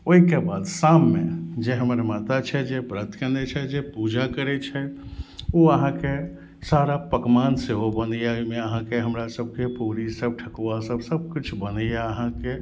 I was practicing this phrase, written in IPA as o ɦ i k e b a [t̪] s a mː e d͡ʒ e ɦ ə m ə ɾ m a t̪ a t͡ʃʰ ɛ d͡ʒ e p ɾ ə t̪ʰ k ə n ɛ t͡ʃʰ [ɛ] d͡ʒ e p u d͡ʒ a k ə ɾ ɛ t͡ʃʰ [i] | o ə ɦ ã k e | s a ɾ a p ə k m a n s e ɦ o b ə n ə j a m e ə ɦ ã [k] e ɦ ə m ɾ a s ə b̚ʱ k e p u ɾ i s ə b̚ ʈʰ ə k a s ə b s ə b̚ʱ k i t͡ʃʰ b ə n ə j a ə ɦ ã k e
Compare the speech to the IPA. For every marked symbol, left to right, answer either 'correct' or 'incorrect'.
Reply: incorrect, correct, incorrect, correct

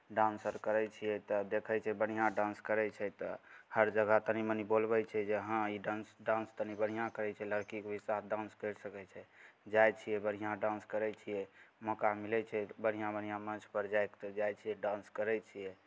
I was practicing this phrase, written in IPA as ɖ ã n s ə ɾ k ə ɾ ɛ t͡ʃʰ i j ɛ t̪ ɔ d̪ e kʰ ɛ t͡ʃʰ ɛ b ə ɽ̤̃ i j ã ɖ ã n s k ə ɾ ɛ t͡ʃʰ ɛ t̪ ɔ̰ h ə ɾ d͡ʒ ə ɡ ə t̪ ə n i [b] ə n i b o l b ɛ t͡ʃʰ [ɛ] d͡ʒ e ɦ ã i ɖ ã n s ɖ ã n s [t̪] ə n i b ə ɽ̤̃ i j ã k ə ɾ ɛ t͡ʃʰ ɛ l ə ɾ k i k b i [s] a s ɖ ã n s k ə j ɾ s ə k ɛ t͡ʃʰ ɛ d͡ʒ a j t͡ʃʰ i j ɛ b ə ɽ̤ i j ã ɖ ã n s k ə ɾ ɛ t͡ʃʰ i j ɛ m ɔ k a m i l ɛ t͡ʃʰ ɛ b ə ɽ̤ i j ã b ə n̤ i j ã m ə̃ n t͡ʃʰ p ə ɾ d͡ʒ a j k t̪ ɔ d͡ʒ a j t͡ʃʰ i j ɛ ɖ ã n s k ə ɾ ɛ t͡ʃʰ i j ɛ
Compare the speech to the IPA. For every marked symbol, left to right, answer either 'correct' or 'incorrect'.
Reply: incorrect, correct, correct, correct

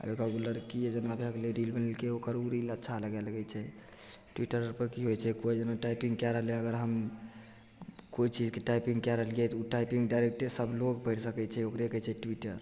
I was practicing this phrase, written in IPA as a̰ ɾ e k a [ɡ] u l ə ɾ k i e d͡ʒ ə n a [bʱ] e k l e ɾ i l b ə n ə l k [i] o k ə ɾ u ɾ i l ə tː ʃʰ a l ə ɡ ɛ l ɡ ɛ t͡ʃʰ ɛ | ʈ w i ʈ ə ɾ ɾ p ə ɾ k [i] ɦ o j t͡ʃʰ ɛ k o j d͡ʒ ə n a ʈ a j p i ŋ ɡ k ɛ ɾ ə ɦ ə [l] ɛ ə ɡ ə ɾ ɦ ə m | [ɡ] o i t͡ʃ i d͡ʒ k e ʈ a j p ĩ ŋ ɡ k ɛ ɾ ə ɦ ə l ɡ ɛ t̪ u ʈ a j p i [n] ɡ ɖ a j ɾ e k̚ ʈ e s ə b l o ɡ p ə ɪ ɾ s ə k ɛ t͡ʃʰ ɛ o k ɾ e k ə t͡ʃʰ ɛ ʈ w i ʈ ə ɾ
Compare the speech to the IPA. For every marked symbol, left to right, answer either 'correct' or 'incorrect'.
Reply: correct, correct, incorrect, correct, correct, incorrect, incorrect

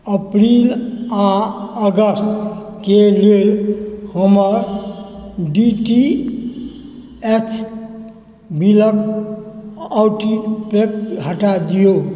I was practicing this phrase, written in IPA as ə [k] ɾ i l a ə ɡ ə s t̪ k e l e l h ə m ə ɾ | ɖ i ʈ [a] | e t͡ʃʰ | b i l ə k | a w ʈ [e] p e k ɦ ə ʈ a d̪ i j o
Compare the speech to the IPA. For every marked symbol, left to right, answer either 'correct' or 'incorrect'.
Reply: incorrect, incorrect, incorrect

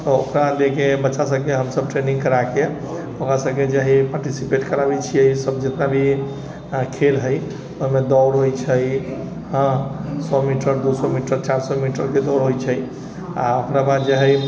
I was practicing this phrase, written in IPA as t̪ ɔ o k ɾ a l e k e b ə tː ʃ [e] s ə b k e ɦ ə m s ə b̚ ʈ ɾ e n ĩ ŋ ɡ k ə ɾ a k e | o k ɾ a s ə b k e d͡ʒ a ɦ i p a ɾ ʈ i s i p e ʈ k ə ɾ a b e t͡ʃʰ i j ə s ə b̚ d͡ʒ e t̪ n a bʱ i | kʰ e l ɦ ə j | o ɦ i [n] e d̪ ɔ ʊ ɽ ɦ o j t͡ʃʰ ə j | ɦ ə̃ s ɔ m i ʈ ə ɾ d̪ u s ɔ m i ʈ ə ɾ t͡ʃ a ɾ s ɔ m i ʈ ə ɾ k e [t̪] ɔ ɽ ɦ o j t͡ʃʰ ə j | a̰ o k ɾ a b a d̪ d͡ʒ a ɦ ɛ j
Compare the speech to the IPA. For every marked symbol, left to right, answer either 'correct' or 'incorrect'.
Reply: incorrect, incorrect, incorrect

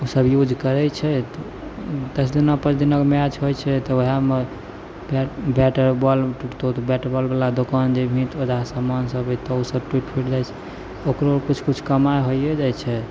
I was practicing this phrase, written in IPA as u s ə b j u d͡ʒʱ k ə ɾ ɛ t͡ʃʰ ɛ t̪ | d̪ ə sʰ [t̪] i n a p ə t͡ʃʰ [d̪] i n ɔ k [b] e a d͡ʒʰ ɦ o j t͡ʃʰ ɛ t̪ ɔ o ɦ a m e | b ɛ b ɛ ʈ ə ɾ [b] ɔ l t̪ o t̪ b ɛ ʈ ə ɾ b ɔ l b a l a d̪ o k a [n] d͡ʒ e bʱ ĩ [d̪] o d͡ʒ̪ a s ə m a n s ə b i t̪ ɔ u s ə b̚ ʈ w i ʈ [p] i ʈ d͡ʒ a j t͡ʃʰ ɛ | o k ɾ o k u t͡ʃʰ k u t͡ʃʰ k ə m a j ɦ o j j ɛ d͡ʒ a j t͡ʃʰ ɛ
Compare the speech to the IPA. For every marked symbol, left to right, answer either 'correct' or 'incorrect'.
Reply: incorrect, correct, incorrect, correct, correct, incorrect, incorrect

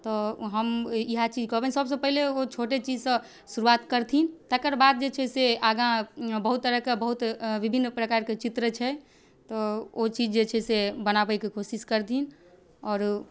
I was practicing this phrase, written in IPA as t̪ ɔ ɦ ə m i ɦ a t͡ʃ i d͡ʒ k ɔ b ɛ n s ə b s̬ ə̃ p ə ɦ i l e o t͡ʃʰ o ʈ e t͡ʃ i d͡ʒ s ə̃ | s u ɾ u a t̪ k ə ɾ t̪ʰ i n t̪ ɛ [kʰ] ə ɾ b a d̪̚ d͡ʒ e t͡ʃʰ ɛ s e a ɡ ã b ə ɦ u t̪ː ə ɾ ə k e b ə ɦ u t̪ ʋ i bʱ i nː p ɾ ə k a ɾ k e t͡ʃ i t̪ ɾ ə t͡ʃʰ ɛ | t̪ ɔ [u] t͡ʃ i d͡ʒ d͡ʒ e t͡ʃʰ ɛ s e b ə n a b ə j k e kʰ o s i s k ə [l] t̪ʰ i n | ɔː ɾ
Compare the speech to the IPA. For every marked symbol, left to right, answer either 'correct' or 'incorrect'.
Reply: incorrect, incorrect, incorrect

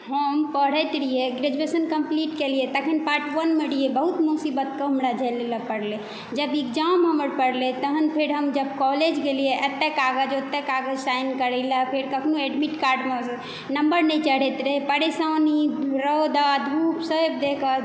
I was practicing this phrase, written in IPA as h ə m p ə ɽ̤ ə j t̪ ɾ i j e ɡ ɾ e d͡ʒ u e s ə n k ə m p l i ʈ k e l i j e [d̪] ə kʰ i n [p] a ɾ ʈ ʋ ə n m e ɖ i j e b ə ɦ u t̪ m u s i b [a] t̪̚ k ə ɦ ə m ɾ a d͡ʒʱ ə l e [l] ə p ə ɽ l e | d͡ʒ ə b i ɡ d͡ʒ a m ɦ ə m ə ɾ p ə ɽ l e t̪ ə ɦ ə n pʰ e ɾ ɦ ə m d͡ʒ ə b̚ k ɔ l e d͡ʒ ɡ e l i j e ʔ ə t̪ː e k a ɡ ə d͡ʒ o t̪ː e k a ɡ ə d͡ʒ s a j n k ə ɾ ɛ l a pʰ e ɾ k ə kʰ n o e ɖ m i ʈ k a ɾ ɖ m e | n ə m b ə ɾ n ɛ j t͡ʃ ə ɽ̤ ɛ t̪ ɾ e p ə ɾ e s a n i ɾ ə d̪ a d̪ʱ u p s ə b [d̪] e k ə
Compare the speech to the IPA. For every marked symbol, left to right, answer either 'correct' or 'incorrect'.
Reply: incorrect, correct, incorrect, correct, correct

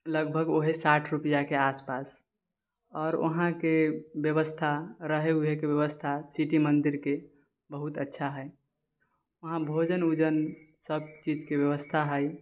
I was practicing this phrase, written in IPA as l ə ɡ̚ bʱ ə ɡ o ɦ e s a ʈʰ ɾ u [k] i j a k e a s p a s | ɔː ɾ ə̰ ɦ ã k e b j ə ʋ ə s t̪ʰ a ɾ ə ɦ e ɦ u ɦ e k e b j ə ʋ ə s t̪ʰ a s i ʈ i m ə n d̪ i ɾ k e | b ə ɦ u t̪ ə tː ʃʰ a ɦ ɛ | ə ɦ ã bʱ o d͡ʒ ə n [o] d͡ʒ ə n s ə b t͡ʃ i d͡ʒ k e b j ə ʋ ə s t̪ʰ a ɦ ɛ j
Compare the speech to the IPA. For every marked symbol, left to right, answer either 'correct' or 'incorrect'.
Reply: incorrect, incorrect

